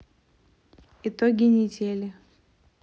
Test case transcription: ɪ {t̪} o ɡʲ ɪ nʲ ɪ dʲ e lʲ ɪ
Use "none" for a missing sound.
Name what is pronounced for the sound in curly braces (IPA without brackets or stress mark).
t̪